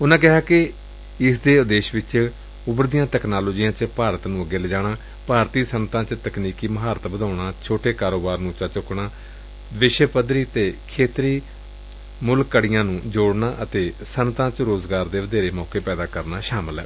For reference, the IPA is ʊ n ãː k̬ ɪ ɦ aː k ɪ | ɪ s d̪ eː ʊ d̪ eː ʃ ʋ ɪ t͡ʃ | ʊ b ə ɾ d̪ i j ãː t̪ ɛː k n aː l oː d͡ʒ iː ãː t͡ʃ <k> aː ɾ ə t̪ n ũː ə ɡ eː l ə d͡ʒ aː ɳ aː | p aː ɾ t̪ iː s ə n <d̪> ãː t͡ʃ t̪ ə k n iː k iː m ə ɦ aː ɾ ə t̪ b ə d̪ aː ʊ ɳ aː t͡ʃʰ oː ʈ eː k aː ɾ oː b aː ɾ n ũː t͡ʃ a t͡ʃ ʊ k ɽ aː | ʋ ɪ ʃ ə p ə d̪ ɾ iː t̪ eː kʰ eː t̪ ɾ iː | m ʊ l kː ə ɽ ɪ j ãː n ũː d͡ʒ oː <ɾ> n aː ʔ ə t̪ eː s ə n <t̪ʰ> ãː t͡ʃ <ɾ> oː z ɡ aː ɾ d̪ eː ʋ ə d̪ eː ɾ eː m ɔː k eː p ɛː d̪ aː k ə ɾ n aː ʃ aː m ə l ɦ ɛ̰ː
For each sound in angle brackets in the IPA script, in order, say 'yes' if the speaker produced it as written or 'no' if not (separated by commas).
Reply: no, no, no, no, yes